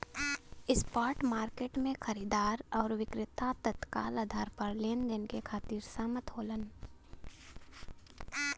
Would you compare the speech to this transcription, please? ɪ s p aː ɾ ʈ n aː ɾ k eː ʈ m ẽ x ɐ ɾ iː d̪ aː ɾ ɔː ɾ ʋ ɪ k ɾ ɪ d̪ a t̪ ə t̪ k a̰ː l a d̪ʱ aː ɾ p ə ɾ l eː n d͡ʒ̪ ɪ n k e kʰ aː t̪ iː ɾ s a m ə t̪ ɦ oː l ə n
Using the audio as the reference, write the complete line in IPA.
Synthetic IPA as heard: ɪ s p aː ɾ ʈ m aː ɾ k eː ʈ m ẽ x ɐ ɾ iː d̪ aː ɾ ɔː ɾ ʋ ɪ k ɾ ɪ t̪ a t̪ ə t̪ k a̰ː l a d̪ʱ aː ɾ p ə ɾ l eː n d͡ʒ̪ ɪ n k e kʰ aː t̪ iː ɾ s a m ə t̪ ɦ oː l ə n